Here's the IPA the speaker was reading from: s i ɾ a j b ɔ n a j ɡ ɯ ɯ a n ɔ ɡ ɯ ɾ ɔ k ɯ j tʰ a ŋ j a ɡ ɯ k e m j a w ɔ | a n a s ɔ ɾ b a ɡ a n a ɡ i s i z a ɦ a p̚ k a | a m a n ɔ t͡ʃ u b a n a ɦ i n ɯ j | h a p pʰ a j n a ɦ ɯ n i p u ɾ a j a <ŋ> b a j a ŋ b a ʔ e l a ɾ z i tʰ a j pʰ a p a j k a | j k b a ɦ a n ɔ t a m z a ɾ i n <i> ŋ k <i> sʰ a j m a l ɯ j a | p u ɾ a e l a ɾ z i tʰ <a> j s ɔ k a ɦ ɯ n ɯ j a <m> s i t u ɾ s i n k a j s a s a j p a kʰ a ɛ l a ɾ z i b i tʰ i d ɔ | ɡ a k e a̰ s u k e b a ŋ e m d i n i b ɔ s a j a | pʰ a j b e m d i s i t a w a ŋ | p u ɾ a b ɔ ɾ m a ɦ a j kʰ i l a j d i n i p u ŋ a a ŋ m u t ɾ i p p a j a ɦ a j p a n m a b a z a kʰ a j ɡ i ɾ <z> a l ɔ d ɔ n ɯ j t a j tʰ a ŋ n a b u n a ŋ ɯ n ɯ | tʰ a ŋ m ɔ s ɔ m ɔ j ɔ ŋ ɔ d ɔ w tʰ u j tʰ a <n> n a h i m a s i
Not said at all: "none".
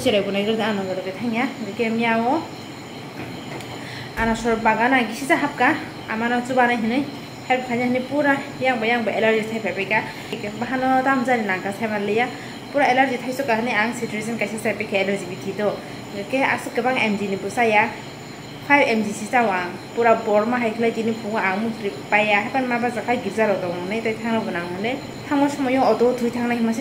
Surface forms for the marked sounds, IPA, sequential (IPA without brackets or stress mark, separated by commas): ŋ, a, a, a, ŋ, z, ŋ